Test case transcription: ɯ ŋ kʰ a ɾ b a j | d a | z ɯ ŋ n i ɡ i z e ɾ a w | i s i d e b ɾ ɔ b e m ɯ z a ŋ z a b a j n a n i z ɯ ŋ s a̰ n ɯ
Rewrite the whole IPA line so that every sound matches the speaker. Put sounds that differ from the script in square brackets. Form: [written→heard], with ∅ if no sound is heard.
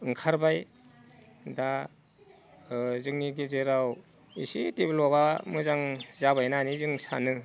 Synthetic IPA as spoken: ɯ ŋ kʰ a ɾ b a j | d a | z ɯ ŋ n i ɡ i z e ɾ a w | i s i [d→t] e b [ɾ→l] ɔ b [e→a] m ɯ z a ŋ z a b a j n a n i z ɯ ŋ s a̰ n ɯ

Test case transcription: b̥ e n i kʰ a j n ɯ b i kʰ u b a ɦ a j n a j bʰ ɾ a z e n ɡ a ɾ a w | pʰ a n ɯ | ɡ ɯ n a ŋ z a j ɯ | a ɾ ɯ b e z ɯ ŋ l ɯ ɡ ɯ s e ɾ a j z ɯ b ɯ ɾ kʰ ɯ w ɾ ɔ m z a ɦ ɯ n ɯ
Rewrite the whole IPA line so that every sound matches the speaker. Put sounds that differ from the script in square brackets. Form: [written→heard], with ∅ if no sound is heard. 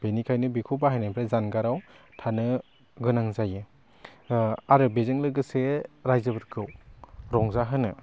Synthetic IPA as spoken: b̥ e n i kʰ a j n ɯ b i kʰ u b a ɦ a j n a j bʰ ɾ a z [e→a] n ɡ a ɾ a w | [pʰ→tʰ] a n ɯ | ɡ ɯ n a ŋ z a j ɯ | a ɾ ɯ b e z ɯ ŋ l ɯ ɡ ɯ s e ɾ a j z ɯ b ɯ ɾ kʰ ɯ w ɾ ɔ [m→ŋ] z a ɦ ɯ n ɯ

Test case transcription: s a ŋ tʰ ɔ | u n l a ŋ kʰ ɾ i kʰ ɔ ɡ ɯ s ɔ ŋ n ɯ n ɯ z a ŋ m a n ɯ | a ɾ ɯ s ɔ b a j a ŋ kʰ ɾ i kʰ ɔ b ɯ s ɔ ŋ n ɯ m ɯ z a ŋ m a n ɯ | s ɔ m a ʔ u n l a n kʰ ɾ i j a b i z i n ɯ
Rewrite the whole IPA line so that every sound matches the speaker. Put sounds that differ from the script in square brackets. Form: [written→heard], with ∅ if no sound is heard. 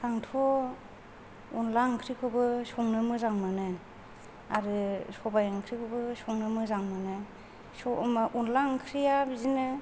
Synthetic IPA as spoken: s a ŋ tʰ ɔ | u n l a ŋ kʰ ɾ i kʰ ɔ [ɡ→b] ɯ s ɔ ŋ n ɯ [n→m] ɯ z a ŋ m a n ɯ | a ɾ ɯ s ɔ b a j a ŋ kʰ ɾ i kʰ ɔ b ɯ s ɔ ŋ n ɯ m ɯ z a ŋ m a n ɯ | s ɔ m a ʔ u n l a [n→ŋ] kʰ ɾ i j a b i z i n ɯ

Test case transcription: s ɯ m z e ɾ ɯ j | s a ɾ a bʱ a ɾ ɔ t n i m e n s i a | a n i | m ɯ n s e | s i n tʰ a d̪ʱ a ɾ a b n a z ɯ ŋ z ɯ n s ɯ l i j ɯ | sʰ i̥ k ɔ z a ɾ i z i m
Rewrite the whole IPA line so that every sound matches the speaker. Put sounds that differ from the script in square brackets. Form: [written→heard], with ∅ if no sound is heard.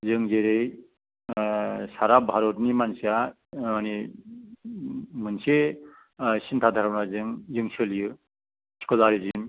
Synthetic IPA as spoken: [s→z] ɯ [m→ŋ] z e ɾ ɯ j | s a ɾ a bʱ a ɾ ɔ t n i m [e→a] n s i a | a n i | m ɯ n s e | s i n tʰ a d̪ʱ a ɾ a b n a z ɯ ŋ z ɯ [n→ŋ] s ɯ l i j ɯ | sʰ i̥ k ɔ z a ɾ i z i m

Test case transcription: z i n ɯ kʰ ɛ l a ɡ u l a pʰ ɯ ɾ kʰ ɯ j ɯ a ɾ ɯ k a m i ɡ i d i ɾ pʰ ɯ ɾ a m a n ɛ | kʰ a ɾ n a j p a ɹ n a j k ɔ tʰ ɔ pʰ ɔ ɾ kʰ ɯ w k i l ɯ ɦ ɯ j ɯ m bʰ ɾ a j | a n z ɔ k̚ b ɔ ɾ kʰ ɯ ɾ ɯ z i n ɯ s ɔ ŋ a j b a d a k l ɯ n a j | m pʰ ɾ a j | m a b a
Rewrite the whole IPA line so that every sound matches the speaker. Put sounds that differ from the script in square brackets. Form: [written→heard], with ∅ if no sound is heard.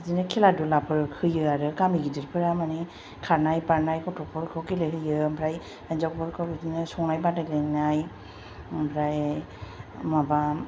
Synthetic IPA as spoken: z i n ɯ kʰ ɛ l a [ɡ→d] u l a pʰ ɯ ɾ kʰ ɯ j ɯ a ɾ ɯ k a m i ɡ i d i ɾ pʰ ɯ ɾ a m a n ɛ | kʰ a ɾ n a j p a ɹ n a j k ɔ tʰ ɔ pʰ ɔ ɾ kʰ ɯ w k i l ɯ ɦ ɯ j ɯ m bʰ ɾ a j | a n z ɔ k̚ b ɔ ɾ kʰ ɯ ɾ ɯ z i n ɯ s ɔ ŋ a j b a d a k l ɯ n a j | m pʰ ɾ a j | m a b a

